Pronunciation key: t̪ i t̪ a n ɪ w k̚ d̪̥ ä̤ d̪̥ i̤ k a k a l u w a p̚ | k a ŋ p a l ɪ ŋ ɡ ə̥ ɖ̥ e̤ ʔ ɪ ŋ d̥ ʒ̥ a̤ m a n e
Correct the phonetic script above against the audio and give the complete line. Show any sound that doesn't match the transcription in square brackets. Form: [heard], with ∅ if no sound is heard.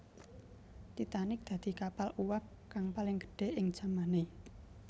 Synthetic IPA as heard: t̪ i t̪ a n ɪ [∅] k̚ d̪̥ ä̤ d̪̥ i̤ k a [p] a l u w a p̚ | k a ŋ p a l ɪ ŋ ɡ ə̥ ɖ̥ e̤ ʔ ɪ ŋ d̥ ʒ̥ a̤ m a n e